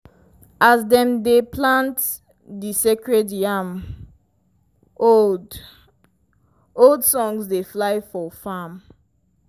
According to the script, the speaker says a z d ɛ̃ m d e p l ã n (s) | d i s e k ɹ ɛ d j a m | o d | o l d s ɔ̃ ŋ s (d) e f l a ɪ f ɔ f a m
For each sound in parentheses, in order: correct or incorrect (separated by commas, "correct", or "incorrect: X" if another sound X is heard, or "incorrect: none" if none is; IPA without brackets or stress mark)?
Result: incorrect: t, correct